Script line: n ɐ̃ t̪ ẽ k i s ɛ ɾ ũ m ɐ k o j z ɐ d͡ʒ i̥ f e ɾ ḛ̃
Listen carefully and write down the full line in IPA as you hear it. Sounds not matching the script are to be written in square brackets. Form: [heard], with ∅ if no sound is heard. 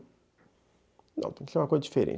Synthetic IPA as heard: n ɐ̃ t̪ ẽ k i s [e] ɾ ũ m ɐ k o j z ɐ d͡ʒ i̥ f e ɾ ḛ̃